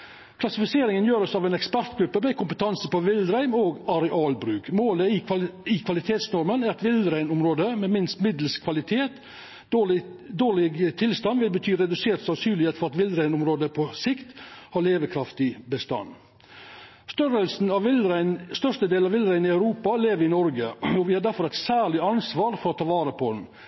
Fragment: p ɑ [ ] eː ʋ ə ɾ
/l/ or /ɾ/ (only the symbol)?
l